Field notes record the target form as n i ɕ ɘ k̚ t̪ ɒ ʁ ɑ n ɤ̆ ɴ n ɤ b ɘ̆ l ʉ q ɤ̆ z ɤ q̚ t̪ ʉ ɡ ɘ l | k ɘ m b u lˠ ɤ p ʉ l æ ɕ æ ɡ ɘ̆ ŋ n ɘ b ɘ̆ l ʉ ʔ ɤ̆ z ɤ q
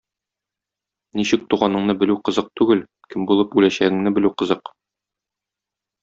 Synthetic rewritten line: n i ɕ ɘ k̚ t̪ u ʁ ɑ n ɤ̆ ɴ n ɤ b ɘ̆ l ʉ q ɤ̆ z ɤ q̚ t̪ ʉ ɡ ɘ l | k ɘ m b u lˠ ɤ p ʉ l æ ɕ æ ɡ ɘ̆ ŋ n ɘ b ɘ̆ l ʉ q ɤ̆ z ɤ q